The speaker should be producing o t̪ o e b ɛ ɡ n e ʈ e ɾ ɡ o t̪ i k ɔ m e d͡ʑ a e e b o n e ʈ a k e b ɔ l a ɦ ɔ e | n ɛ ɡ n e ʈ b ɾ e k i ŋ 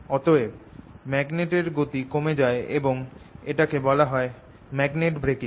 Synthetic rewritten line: ɔ t̪ o e m ɛ ɡ n e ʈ e ɾ ɡ o t̪ i k o m e d͡ʑ a e e b o ŋ e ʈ a k e b ɔ l a ɦ ɔ e | m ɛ ɡ n e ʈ b ɾ e k i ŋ